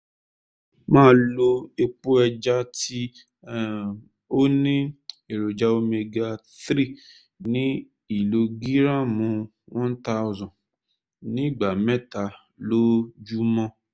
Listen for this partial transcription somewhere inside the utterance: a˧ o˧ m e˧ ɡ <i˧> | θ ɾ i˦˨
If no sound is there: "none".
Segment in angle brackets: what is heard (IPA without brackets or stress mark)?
a˧